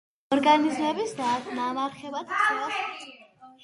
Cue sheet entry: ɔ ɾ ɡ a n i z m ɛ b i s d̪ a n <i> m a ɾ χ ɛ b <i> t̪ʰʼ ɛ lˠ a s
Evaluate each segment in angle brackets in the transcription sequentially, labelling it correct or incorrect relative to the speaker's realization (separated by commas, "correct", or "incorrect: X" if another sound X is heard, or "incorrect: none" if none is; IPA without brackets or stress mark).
incorrect: a, incorrect: a